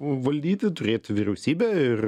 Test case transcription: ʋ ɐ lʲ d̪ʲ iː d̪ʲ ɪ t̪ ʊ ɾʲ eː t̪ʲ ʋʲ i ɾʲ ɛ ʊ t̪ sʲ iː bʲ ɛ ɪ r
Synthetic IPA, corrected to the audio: ʋ ɐ lʲ d̪ʲ iː t̪ʲ ɪ t̪ ʊ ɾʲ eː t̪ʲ ʋʲ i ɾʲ ɛ ʊ sʲ iː bʲ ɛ ɪ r